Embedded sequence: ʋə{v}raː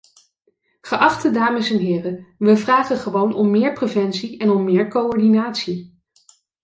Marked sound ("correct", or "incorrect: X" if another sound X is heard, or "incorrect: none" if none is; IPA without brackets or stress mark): correct